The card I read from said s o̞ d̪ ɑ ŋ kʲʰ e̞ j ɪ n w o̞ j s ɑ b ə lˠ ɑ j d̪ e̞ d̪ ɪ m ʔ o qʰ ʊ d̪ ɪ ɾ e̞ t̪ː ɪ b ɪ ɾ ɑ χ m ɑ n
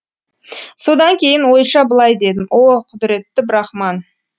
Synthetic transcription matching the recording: s o̞ d̪ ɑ ŋ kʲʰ e̞ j ɪ n w o̞ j ʃ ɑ b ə lˠ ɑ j d̪ e̞ d̪ ɪ m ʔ o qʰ ʊ d̪ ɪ ɾ e̞ t̪ː ɪ b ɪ ɾ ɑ χ m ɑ n